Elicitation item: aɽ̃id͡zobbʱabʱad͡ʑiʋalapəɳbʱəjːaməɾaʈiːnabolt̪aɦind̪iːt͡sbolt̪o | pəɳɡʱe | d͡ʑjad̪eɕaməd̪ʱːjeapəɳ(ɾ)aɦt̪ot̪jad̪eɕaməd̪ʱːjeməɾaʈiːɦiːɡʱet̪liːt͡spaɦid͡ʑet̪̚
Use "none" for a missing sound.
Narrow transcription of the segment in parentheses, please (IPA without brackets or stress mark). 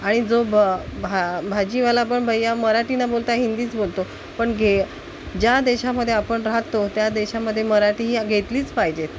ɾ